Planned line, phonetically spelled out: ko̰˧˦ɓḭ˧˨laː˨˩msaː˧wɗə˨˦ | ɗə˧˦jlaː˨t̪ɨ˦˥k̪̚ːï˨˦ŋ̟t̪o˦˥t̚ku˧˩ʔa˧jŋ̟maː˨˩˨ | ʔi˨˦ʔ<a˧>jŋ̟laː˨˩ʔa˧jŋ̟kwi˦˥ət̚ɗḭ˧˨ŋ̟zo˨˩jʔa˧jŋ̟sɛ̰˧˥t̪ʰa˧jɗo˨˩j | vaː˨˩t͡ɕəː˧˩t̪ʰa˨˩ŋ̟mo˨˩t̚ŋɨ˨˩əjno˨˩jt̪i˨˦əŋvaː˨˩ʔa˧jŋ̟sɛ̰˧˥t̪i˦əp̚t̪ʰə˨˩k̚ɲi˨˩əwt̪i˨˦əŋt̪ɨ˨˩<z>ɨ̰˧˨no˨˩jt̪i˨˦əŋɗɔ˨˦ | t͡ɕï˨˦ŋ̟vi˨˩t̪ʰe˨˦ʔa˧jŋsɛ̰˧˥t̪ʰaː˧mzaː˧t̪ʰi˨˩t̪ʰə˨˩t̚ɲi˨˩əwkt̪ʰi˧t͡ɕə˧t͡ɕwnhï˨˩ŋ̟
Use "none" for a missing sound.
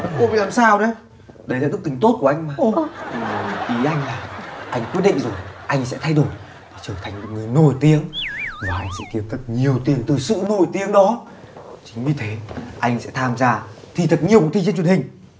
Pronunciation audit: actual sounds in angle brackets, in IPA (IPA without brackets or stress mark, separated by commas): a˧, s